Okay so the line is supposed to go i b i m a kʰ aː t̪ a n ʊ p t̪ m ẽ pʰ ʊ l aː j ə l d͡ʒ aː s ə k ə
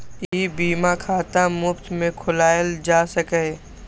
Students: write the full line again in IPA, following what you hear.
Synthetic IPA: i b iː m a kʰ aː t̪ a m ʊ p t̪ m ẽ kʰ ʊ l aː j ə l d͡ʒ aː s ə k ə